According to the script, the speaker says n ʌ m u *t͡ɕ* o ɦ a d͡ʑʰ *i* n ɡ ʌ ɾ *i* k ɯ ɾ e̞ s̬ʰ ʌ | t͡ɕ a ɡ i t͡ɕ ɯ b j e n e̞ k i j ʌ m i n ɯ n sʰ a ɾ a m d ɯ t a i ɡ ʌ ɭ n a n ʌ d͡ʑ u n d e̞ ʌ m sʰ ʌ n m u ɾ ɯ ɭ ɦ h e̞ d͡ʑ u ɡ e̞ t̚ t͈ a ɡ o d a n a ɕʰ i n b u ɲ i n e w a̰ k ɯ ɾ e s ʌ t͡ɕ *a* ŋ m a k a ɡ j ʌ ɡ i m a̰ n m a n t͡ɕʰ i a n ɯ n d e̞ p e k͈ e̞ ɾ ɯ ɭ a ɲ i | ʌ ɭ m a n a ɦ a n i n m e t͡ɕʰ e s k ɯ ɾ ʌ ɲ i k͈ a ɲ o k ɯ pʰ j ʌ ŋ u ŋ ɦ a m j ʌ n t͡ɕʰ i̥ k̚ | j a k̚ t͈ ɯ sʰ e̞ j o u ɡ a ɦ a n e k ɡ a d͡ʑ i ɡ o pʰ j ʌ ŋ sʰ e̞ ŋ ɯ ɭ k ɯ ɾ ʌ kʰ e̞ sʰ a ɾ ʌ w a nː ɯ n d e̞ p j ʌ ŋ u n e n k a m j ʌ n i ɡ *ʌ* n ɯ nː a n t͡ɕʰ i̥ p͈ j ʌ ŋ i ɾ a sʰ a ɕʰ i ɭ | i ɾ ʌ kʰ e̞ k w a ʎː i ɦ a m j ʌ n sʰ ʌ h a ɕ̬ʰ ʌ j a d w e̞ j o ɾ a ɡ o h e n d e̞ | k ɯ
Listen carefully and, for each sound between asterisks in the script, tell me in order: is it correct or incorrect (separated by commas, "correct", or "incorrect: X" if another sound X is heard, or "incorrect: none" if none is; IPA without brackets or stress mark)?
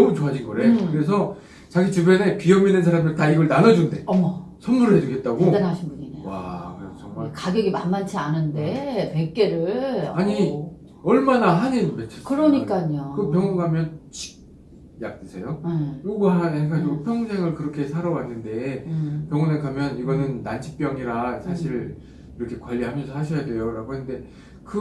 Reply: correct, correct, incorrect: e, incorrect: ʌ, correct